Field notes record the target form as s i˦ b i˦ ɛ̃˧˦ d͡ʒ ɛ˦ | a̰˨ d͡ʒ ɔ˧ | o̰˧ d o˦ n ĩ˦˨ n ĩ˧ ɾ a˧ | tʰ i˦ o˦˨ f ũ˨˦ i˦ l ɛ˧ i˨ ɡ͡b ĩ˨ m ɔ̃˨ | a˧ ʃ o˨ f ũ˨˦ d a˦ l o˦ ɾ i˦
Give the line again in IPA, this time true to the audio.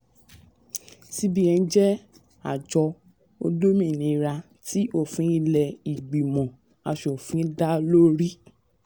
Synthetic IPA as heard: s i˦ b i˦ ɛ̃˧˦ d͡ʒ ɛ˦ | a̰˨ d͡ʒ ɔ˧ | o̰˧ d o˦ m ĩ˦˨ n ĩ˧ ɾ a˧ | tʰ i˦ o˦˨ f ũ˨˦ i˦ l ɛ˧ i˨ ɡ͡b i˨ m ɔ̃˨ | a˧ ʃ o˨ f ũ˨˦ d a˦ l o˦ ɾ i˦

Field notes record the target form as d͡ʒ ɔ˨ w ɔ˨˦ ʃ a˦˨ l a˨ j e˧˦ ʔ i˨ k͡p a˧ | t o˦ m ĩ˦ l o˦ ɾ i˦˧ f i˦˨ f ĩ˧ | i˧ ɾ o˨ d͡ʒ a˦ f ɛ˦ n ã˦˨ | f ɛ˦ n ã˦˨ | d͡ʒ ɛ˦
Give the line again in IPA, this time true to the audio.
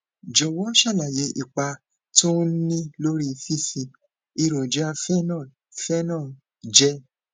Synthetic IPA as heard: d͡ʒ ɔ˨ w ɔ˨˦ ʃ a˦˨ l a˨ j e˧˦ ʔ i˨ k͡p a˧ | t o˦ n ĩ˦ l o˦ ɾ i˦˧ f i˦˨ f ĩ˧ | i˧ ɾ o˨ d͡ʒ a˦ f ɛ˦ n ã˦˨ | f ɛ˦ n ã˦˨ | d͡ʒ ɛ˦

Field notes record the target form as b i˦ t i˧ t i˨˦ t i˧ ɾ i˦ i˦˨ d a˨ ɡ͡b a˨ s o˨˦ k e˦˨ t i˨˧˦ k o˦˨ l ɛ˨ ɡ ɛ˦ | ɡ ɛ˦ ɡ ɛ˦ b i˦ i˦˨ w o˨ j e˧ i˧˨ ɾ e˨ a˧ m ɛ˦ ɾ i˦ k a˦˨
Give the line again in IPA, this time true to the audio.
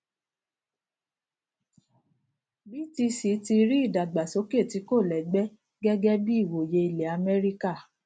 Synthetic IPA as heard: b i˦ t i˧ s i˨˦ t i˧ ɾ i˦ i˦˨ d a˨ ɡ͡b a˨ s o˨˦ k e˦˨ t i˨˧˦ k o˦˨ l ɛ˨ ɡ͡b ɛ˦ | ɡ ɛ˦ ɡ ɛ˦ b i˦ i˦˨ w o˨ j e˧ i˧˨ l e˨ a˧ m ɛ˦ ɾ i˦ k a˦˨

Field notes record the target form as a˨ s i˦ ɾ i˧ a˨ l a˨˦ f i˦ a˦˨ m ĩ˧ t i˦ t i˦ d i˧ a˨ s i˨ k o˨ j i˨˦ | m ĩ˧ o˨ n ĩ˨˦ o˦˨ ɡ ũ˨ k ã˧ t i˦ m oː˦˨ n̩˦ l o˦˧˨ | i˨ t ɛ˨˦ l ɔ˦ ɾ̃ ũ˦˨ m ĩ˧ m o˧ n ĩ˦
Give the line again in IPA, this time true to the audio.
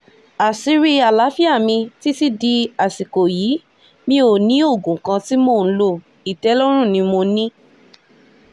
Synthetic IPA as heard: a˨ s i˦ ɾ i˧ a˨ l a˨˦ f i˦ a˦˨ m ĩ˧ t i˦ t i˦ d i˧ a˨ s i˨ k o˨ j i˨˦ | m ĩ˧ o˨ n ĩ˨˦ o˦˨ ɡ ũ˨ k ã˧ t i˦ m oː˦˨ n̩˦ l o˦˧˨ | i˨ t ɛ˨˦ l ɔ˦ ɾ̃ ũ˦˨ n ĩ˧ m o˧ n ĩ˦

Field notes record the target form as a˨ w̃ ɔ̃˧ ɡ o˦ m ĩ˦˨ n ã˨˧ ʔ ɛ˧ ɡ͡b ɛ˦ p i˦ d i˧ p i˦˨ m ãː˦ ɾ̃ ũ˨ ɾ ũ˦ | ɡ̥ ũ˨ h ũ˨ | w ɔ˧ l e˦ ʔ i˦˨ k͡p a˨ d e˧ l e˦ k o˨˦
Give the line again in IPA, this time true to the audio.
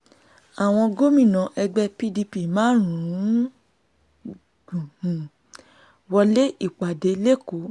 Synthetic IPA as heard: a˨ w̃ ɔ̃˧ ɡ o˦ m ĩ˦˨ n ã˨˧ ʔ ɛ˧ ɡ͡b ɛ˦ p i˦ d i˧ p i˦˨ m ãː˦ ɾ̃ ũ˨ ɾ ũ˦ | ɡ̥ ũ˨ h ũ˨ | w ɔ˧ l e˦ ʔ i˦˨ k͡p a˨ d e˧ l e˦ k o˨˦

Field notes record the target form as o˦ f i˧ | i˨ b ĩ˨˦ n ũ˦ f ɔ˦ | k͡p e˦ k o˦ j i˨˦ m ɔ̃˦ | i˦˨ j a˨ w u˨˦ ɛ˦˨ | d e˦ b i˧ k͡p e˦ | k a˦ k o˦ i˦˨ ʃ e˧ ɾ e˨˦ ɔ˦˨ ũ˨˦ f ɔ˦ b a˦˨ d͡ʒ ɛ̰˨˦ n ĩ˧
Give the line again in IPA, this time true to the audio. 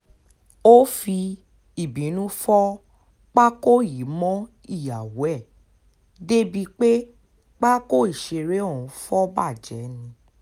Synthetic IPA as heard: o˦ f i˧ | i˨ b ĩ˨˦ n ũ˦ f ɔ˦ | k͡p a˦ k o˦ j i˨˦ m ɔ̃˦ | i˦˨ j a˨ w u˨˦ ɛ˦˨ | d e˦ b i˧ k͡p e˦ | k͡p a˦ k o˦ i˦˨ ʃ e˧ ɾ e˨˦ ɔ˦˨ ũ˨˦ f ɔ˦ b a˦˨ d͡ʒ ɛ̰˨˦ n ĩ˧

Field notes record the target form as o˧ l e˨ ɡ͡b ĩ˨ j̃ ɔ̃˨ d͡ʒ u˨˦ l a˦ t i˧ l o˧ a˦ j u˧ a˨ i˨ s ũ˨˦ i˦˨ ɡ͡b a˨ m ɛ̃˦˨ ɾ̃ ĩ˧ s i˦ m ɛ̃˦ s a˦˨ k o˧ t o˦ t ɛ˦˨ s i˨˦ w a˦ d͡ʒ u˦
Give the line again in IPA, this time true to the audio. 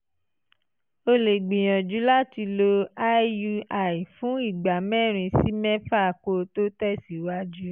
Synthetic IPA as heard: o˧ l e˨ ɡ͡b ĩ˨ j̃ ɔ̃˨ d͡ʒ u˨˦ l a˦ t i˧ l o˧ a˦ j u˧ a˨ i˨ f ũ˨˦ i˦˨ ɡ͡b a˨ m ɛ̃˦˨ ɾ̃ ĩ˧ s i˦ m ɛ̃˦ f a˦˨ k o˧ t o˦ t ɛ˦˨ s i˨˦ w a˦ d͡ʒ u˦

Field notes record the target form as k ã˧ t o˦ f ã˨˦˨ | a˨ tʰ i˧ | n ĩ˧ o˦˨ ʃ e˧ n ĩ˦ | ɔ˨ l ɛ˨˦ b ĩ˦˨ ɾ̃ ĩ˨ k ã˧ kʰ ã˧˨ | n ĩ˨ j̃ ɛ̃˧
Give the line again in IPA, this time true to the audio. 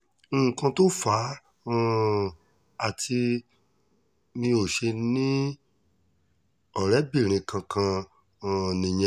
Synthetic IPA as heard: k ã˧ t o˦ f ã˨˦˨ | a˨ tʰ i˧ | m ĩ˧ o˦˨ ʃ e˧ n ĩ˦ | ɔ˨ ɾ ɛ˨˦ b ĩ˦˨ ɾ̃ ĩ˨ k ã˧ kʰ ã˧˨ | n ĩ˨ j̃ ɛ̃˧

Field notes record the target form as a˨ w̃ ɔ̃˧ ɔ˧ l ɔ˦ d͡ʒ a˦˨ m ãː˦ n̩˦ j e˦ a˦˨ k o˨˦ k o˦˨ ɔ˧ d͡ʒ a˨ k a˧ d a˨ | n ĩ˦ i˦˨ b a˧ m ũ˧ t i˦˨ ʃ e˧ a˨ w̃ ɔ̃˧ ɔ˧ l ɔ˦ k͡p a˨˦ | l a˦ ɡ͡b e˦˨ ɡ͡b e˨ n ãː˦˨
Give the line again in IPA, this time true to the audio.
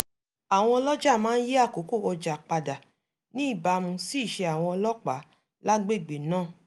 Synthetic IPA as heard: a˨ w̃ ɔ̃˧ ɔ˧ l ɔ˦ d͡ʒ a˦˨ m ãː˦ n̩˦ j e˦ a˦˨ k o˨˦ k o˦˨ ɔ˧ d͡ʒ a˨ k͡p a˧ d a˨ | n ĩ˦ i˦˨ b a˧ m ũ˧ s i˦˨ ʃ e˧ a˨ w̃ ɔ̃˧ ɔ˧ l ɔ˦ k͡p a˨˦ | l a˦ ɡ͡b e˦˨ ɡ͡b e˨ n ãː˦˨

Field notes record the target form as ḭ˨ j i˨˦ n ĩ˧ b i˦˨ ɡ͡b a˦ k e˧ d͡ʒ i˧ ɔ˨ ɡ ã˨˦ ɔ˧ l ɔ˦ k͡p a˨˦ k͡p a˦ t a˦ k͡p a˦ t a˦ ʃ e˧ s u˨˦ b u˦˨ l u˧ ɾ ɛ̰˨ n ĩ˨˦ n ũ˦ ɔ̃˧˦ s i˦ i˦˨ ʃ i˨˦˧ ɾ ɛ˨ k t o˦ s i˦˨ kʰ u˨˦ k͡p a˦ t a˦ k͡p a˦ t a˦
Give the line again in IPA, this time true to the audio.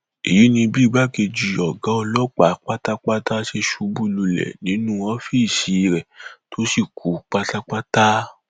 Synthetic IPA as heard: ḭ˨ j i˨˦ n ĩ˧ b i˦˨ ɡ͡b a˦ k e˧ d͡ʒ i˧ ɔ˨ ɡ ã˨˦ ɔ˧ l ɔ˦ k͡p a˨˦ k͡p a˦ t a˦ k͡p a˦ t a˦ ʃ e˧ ʃ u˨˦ b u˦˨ l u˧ l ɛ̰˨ n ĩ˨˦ n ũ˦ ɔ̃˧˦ f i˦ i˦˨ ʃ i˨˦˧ ɾ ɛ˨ t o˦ s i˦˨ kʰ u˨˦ k͡p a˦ t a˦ k͡p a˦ t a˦

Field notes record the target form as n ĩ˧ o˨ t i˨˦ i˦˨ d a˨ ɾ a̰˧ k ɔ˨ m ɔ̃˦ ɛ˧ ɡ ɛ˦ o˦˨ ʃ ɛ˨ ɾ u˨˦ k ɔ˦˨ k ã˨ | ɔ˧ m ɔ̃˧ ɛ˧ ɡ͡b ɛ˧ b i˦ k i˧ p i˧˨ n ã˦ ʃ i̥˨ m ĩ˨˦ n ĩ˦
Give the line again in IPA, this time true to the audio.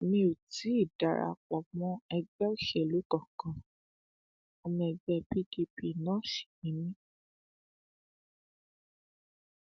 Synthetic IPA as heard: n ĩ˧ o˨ t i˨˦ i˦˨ d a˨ ɾ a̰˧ k͡p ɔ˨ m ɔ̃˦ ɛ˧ ɡ͡b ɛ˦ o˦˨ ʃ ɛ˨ l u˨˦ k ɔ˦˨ k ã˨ | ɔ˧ m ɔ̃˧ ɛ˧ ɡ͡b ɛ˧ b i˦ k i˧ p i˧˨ n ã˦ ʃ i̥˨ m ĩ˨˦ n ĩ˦

